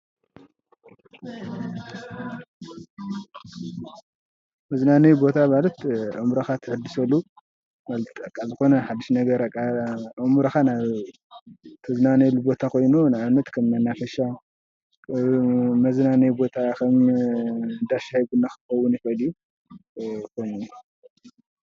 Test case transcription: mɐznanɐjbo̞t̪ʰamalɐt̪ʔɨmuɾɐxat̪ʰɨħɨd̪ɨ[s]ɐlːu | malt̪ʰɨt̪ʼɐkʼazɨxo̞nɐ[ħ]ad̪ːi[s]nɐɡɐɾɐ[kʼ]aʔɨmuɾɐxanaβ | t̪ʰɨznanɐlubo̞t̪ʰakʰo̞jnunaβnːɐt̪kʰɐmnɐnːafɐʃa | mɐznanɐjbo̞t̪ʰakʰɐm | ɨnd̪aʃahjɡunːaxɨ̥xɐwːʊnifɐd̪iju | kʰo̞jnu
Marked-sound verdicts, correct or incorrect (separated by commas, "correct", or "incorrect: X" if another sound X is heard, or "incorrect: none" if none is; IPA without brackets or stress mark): correct, correct, incorrect: ʃ, correct